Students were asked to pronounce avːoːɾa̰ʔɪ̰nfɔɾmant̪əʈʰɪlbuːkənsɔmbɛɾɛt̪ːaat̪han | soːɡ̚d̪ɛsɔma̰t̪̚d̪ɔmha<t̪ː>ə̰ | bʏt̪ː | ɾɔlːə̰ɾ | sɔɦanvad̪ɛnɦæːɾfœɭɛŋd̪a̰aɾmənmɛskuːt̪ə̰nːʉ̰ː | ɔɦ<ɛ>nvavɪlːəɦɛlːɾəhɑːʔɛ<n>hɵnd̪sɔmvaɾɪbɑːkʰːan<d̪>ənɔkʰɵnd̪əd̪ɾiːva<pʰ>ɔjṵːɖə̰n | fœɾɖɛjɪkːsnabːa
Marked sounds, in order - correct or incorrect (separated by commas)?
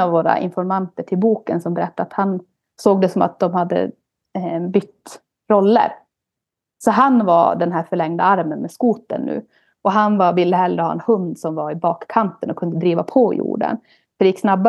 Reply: incorrect, incorrect, correct, incorrect, correct